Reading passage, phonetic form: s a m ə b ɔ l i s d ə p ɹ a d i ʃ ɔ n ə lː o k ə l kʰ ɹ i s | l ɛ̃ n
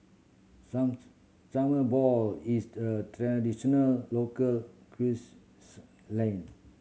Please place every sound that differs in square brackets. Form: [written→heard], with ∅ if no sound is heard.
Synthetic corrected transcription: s a m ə b ɔ l i s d ə [p→t] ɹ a d i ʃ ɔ n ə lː o k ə l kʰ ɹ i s | l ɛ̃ n

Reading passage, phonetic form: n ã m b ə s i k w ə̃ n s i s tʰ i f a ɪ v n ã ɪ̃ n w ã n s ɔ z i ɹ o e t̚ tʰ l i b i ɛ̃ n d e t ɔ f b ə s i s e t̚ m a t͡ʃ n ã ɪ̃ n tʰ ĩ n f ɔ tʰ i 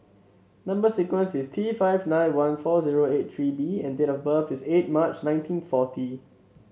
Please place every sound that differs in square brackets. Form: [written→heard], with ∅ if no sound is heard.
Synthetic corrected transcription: n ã m b ə s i k w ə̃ n s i s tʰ i f a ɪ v n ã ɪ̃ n w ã n [s→f] ɔ z i ɹ o e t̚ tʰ [l→ɹ] i b i ɛ̃ n d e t ɔ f b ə [s→f] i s e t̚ m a t͡ʃ n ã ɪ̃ n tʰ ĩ n f ɔ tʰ i

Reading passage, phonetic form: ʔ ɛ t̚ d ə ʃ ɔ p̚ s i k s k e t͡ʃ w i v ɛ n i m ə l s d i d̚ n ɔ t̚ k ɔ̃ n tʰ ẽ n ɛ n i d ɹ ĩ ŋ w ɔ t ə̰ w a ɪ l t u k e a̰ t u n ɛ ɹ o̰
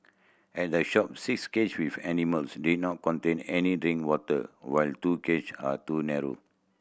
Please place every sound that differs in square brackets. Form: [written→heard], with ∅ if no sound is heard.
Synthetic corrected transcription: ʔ ɛ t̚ d ə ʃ ɔ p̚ s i k s k e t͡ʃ w i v ɛ n i m ə l s d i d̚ n ɔ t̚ k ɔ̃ n [tʰ→t] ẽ n ɛ n i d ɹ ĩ ŋ w ɔ t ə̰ w a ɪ l t u k e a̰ t u n ɛ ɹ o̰

